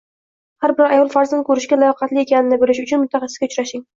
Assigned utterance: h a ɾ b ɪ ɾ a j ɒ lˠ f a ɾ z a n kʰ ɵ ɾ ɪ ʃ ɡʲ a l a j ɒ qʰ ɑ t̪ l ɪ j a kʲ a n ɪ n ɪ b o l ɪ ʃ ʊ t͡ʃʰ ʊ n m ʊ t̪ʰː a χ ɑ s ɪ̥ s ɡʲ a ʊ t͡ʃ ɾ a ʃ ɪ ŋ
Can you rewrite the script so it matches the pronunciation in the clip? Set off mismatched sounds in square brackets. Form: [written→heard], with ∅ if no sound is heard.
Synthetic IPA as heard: h a ɾ b ɪ ɾ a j ɒ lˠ f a ɾ z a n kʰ ɵ ɾ ɪ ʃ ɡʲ a l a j ɒ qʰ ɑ t̪ l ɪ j [a→e] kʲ a n ɪ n ɪ b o l ɪ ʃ ʊ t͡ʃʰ ʊ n m ʊ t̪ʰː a χ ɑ s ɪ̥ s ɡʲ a ʊ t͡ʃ ɾ a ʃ ɪ ŋ